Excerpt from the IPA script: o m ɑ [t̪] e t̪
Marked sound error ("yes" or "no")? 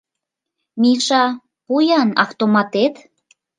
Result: no